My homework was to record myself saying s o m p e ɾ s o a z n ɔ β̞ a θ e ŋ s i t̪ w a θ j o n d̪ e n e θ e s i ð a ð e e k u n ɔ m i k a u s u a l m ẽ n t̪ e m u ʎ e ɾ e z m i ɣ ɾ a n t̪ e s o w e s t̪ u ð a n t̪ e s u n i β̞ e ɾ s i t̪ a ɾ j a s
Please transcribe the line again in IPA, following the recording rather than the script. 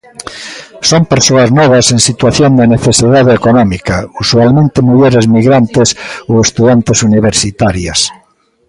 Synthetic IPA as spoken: s o m p e ɾ s o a z n ɔ β̞ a s e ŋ s i t̪ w a θ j o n d̪ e n e θ e s i ð a ð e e k o n ɔ m i k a u s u a l m ẽ n t̪ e m u ʎ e ɾ e z m i ɣ ɾ a n t̪ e s o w e s t̪ u ð a n t̪ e s u n i β̞ e ɾ s i t̪ a ɾ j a s